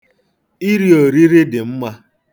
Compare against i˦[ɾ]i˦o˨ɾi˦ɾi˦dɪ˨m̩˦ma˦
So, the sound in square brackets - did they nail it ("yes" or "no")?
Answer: yes